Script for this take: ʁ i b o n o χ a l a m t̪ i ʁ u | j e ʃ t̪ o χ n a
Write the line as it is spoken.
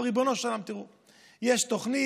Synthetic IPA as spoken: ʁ i b o n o ʃ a l a m t̪ i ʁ u | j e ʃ t̪ o χ n i